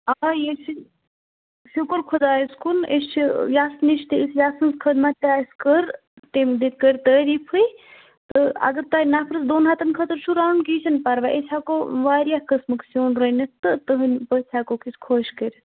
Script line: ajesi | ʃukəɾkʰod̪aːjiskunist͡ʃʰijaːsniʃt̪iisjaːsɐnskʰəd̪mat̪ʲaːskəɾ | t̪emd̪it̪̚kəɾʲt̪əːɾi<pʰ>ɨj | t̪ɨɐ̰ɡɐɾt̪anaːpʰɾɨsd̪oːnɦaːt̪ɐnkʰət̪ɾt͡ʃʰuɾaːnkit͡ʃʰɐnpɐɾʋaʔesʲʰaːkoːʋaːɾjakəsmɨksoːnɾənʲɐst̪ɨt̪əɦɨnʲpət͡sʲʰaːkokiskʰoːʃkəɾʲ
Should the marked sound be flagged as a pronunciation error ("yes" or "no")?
no